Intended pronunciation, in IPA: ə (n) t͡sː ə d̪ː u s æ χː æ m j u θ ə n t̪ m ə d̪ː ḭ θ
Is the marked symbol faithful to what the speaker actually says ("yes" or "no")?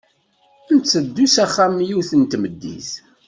yes